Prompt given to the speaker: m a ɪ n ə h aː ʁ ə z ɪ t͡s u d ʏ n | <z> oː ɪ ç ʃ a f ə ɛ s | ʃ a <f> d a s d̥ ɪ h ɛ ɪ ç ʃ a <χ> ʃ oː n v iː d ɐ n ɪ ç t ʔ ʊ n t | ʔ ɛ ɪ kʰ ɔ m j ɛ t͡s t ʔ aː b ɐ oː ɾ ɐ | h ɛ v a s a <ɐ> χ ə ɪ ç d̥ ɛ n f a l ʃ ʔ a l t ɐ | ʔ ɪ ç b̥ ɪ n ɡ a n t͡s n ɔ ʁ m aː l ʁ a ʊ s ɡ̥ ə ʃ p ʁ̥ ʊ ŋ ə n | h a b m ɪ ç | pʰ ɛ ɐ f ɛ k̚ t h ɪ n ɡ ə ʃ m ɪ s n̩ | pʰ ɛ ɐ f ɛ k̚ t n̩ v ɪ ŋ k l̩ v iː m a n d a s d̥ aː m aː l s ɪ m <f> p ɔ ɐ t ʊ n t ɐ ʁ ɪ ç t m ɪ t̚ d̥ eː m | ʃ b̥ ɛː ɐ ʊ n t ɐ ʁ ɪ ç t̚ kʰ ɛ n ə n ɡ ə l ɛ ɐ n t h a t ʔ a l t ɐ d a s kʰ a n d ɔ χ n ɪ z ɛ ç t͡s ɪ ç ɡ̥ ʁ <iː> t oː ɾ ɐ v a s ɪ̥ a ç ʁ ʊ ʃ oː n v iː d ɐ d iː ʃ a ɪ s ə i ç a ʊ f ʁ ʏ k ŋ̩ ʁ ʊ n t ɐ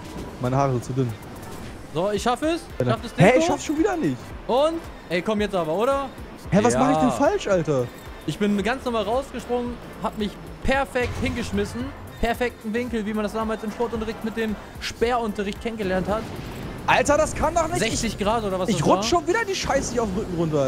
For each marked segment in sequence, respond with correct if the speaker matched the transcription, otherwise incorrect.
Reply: correct, correct, incorrect: f, incorrect: a, incorrect: ʃ, incorrect: aː

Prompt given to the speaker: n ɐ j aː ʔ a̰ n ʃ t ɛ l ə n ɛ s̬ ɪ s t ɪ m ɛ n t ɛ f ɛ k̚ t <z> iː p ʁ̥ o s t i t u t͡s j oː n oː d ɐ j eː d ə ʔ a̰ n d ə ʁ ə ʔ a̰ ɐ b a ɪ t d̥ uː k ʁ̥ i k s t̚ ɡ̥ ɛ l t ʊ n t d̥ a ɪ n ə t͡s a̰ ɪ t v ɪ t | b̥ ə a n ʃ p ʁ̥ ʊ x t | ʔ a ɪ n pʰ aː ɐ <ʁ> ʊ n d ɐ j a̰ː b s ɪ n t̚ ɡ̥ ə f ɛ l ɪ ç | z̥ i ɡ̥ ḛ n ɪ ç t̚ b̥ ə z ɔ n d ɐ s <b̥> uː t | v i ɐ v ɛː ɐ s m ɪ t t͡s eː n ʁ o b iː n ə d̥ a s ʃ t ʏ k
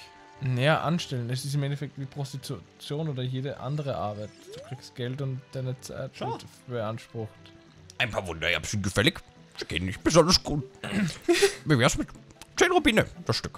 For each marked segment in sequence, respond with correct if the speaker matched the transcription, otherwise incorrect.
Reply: incorrect: v, incorrect: v, incorrect: ɡ̥

